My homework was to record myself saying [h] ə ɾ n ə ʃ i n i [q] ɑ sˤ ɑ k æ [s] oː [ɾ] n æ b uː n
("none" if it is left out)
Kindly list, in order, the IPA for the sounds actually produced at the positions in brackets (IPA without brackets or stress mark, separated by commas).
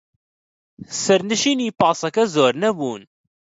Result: s, p, z, ɾ